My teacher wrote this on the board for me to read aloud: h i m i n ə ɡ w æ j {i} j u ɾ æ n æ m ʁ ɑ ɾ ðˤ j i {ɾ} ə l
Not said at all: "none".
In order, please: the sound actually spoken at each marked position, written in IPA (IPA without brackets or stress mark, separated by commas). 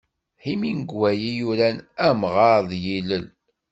i, l